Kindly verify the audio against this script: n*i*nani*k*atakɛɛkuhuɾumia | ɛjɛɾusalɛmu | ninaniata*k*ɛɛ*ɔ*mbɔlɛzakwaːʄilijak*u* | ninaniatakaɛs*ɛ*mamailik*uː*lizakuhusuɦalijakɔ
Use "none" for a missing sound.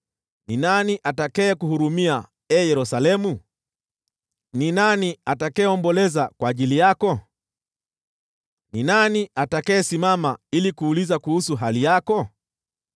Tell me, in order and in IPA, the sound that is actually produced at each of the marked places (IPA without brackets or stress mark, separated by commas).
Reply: i, ʔ, k, ɔ, ɔ, i, uː